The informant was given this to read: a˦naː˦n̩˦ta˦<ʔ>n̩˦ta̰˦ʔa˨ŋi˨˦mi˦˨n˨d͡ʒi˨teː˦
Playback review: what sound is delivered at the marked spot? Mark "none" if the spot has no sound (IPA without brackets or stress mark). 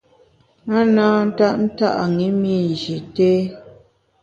ʔ